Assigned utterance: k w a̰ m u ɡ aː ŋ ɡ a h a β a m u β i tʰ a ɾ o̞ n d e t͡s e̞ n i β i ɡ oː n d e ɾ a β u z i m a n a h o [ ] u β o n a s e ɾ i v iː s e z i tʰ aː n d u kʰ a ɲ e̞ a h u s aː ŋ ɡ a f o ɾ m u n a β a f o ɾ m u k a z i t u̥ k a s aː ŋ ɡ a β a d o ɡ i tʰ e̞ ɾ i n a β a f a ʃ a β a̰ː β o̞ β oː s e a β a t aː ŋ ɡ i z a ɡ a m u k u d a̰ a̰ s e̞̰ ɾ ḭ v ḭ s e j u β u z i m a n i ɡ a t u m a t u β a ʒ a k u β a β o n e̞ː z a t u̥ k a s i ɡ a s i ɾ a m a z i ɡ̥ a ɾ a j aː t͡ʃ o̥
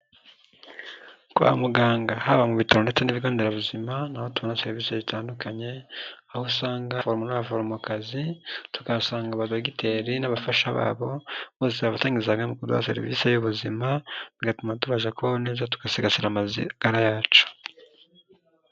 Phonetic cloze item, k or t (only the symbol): t